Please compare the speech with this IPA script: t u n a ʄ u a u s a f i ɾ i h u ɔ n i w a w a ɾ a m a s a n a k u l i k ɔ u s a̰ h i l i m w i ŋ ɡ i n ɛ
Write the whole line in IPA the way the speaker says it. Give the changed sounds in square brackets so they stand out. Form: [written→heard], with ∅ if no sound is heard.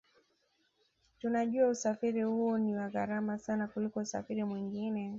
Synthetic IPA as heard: t u n a ʄ u a u s a f i ɾ i h u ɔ n i w a [w→ɣ] a ɾ a m a s a n a k u l i k ɔ u s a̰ [h→f] i [l→ɾ] i m w i ŋ ɡ i n ɛ